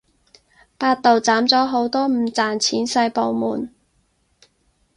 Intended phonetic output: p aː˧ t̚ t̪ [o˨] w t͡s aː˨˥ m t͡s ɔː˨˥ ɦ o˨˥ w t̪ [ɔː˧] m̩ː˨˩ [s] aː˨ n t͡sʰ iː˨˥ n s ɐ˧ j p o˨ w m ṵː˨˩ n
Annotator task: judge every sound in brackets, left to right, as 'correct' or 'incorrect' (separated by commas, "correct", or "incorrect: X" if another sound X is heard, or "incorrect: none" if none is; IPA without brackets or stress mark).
correct, incorrect: ɔː˥, incorrect: t͡s